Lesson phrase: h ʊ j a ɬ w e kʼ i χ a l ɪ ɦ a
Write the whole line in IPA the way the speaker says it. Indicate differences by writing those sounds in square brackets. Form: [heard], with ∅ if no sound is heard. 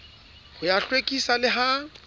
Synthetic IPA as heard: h ʊ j a ɬ w e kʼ i [s] a l ɪ ɦ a

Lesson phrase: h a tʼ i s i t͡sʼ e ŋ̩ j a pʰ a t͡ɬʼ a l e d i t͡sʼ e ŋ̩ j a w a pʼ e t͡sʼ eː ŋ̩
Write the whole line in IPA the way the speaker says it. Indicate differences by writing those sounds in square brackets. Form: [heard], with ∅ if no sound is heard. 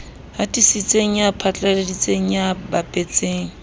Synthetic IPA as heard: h a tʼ i s i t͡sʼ e ŋ̩ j a pʰ a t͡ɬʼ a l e d i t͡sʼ e ŋ̩ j a [b] a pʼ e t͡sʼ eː ŋ̩

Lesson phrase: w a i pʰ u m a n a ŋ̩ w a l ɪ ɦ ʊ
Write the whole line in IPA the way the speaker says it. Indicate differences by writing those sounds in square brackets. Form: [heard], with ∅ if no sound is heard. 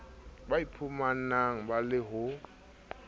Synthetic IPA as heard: [b] a i pʰ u m a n a ŋ̩ [b] a l ɪ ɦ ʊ

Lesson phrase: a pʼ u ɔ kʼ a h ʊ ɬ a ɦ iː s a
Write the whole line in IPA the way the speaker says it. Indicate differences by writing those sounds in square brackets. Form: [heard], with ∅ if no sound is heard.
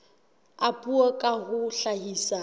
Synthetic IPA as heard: a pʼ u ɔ kʼ a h ʊ ɬ a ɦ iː s a

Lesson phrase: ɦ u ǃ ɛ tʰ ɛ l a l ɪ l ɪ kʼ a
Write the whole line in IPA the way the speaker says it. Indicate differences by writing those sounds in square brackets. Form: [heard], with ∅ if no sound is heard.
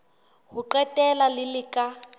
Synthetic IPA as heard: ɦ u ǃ ɛ [t] ɛ l a l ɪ l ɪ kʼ a

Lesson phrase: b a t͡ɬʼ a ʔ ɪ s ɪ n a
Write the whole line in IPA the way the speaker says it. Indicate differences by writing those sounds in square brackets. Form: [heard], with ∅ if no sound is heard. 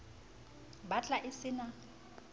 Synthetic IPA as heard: b a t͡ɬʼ a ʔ ɪ s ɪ n a

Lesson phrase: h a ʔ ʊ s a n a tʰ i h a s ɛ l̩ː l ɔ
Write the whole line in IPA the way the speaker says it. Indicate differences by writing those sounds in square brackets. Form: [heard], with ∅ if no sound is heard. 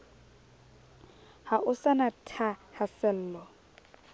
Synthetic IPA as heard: h a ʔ ʊ s a n a tʰ [a] h a s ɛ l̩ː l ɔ

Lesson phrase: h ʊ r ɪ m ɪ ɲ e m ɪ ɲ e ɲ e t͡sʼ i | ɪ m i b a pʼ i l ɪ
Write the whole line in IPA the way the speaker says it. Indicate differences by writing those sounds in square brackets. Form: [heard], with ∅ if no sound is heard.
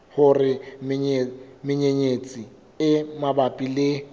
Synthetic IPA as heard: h ʊ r ɪ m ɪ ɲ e m ɪ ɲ e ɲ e t͡sʼ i | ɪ m [a] b a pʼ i l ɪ

